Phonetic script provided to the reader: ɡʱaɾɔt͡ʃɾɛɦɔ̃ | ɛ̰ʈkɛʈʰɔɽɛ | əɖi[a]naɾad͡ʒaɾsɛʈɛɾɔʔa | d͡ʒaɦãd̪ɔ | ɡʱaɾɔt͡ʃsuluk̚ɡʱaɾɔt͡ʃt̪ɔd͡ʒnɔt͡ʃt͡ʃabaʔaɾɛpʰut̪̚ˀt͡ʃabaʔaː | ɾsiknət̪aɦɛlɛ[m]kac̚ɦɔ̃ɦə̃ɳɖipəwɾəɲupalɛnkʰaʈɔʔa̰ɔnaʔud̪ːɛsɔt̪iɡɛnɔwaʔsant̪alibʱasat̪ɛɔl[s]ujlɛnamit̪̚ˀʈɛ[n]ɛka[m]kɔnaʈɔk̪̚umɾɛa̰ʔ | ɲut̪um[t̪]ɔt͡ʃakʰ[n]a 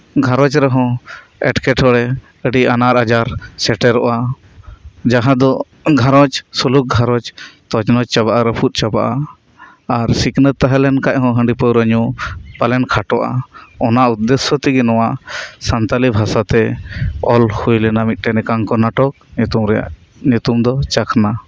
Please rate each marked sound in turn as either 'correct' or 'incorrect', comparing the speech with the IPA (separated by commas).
correct, incorrect, incorrect, correct, incorrect, incorrect, correct